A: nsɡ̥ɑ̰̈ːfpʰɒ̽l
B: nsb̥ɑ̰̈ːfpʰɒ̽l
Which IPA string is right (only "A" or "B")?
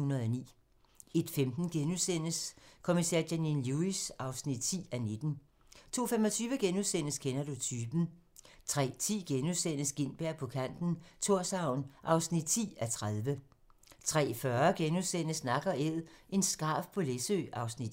A